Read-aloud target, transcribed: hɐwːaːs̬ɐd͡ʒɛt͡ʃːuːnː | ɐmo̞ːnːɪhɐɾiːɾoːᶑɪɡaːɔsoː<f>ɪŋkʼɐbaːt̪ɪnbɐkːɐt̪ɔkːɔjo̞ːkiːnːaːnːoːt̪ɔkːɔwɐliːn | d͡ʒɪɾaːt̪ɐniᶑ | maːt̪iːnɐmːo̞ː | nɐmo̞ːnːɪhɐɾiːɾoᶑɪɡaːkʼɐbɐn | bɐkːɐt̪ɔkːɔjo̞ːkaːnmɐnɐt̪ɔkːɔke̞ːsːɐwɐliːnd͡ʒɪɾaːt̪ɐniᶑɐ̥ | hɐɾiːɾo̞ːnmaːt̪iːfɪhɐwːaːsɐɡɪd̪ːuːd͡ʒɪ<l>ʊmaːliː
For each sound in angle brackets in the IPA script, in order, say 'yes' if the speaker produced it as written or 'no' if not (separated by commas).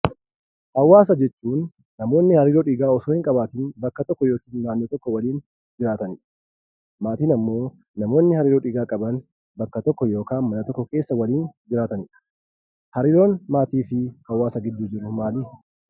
no, no